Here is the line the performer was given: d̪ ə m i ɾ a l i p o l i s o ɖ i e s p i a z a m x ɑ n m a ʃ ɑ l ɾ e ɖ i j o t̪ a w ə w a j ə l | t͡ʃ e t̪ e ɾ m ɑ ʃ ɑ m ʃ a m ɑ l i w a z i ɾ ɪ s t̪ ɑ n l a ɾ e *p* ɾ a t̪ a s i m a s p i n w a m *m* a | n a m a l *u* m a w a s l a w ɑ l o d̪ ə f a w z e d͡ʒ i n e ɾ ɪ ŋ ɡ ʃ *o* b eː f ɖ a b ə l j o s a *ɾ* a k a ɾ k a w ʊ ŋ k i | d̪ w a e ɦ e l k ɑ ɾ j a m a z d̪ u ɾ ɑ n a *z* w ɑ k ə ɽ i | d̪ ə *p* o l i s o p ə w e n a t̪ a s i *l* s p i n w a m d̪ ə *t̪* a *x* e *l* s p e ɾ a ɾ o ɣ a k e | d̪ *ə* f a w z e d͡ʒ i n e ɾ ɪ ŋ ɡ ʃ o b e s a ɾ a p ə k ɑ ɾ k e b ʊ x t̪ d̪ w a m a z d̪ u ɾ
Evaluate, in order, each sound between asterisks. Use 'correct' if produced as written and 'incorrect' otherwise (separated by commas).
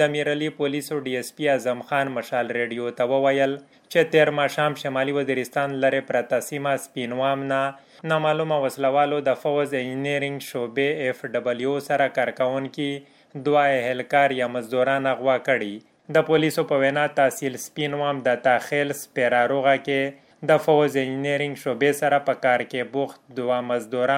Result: correct, incorrect, correct, correct, correct, incorrect, correct, correct, correct, correct, correct, correct